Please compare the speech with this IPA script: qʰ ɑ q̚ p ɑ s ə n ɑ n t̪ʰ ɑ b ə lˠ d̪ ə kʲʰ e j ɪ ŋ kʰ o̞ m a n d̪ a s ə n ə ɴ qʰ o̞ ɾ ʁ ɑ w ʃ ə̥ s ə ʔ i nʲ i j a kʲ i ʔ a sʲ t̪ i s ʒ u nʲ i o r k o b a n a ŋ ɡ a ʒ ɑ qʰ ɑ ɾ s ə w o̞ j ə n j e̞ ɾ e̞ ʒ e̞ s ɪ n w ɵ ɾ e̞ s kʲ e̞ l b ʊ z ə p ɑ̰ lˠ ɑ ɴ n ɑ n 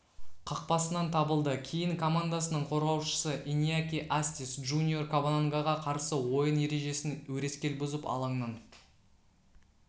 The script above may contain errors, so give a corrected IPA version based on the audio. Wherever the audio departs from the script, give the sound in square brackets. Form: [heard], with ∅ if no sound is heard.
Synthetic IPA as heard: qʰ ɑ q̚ p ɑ s ə n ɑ n t̪ʰ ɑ b ə lˠ d̪ ə kʲʰ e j ɪ ŋ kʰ o̞ m a n d̪ a s ə n ə ɴ qʰ o̞ ɾ ʁ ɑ w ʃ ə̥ s ə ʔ i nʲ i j a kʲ i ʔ a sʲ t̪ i s ʒ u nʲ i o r k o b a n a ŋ ɡ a [ʁ] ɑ qʰ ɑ ɾ s ə w o̞ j ə n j e̞ ɾ e̞ ʒ e̞ s ɪ n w ɵ ɾ e̞ s kʲ e̞ l b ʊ z ə p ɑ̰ lˠ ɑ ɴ n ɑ n